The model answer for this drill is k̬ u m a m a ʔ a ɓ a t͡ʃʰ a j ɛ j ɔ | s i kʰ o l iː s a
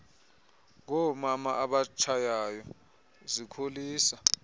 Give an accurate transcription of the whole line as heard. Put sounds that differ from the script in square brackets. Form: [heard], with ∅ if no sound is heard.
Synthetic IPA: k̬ [ɔ] m a m a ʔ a ɓ a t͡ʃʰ a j [a] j ɔ | [z] i kʰ o l iː s a